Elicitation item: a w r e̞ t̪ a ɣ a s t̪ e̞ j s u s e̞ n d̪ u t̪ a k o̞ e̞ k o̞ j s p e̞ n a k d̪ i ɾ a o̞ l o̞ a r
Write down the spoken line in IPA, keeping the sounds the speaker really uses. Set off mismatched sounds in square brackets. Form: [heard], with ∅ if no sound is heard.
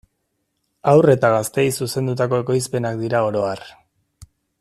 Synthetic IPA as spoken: a w r e̞ t̪ a ɣ a s t̪ e̞ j s u s e̞ n d̪ u t̪ a k o̞ e̞ k o̞ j s p e̞ n a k d̪ i ɾ a o̞ [ɾ] o̞ a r

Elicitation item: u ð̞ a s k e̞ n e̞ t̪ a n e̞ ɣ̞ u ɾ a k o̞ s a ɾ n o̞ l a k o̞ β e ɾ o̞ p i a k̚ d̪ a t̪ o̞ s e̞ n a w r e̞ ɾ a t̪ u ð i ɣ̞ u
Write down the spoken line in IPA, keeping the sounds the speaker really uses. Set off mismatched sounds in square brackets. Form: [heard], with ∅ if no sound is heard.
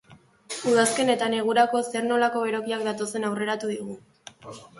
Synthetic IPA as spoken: u ð̞ a s k e̞ n e̞ t̪ a n e̞ ɣ̞ u ɾ a k o̞ s [e] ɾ n o̞ l a k o̞ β e ɾ o̞ [k] i a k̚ d̪ a t̪ o̞ s e̞ n a w r e̞ ɾ a t̪ u ð i ɣ̞ u

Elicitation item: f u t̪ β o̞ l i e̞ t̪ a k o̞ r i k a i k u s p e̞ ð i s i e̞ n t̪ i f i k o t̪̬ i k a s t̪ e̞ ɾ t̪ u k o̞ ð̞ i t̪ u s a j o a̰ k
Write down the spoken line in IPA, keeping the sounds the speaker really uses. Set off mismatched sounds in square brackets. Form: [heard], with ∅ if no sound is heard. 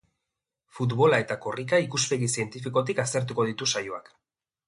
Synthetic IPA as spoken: f u t̪ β o̞ l [a] e̞ t̪ a k o̞ r i k a i k u s p e̞ [ɣ] i s i e̞ n t̪ i f i k o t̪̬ i k a s t̪ e̞ ɾ t̪ u k o̞ ð̞ i t̪ u s a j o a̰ k

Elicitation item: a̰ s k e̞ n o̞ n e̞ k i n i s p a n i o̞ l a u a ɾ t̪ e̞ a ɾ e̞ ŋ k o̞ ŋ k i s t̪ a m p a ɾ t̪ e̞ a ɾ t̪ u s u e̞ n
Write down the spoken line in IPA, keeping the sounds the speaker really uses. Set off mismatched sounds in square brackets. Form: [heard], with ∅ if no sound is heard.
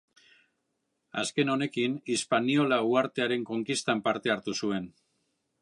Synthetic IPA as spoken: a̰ s k e̞ n o̞ n e̞ k i n i s p a n i o̞ l a u a ɾ t̪ e̞ a ɾ e̞ ŋ k o̞ ŋ k i s t̪ a m p a ɾ t̪ e̞ a ɾ t̪ u s u e̞ n

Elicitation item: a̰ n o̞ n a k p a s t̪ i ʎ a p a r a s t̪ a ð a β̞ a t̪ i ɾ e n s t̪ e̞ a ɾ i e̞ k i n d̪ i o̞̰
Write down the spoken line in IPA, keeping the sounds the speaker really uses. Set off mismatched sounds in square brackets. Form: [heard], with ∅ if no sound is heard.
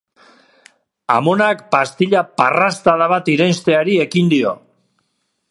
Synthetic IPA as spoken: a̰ [m] o̞ n a k p a s t̪ i ʎ a p a r a s t̪ a ð a β̞ a t̪ i ɾ e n s t̪ e̞ a ɾ i e̞ k i n d̪ i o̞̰

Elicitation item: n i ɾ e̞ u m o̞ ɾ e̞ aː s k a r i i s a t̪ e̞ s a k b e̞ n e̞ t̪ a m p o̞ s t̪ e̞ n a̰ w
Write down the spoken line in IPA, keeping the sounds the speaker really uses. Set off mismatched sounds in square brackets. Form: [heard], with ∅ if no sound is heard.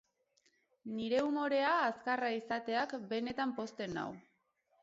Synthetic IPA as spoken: n i ɾ e̞ u m o̞ ɾ e̞ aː s k a r [a] i s a t̪ e̞ [∅] a k b e̞ n e̞ t̪ a m p o̞ s t̪ e̞ n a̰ w

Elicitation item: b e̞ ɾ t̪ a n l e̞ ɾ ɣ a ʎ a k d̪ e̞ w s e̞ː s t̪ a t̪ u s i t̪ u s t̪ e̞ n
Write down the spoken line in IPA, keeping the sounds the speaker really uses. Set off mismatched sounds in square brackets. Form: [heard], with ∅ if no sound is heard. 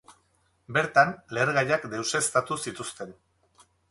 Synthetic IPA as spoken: b e̞ ɾ t̪ a n l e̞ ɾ ɣ a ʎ a k d̪ e̞ w s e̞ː s t̪ a t̪ u s i t̪ u s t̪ e̞ n

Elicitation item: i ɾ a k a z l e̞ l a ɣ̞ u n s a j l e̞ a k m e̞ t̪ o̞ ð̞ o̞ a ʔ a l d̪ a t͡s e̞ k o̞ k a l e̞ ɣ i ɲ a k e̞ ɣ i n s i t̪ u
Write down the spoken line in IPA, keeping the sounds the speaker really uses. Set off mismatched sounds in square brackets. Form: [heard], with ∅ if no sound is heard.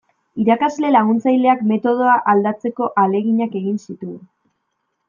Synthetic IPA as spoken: i ɾ a k a z l e̞ l a ɣ̞ u n [t͡s] a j l e̞ a k m e̞ t̪ o̞ ð̞ o̞ a ʔ a l d̪ a t͡s e̞ k o̞ [ʔ] a l e̞ ɣ i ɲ a k e̞ ɣ i n s i t̪ u

